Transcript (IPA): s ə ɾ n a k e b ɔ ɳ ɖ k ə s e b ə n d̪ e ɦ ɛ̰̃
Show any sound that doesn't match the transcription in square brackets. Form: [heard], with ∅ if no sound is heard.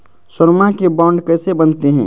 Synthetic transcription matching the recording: s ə ɾ [m] a k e b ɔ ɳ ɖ k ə s e b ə n [t̪] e ɦ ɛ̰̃